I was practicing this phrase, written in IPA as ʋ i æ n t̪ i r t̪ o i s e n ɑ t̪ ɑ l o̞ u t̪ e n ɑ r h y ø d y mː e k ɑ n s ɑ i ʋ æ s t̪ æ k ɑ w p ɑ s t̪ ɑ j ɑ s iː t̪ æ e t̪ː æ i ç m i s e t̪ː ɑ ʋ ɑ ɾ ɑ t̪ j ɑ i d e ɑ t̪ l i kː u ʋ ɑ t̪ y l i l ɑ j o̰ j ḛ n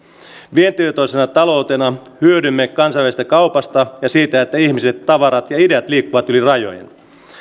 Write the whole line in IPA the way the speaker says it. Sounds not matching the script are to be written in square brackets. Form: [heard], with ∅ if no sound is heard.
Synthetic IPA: ʋ i [e] n t̪ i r t̪ o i s e n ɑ t̪ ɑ l o̞ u t̪ e n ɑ [∅] h y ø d y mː e k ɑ n s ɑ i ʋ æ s t̪ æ k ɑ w p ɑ s t̪ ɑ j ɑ s iː t̪ æ e t̪ː æ i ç m i s e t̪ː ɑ ʋ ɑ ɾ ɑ t̪ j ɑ i d e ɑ t̪ l [iː] kː u ʋ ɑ t̪ y l i [r] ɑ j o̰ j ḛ n